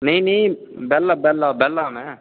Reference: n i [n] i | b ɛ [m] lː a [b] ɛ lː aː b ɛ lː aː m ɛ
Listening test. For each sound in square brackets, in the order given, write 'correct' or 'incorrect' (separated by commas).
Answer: correct, incorrect, correct